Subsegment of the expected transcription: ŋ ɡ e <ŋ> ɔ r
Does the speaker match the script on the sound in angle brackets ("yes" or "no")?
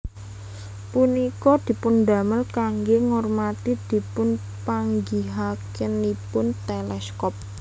yes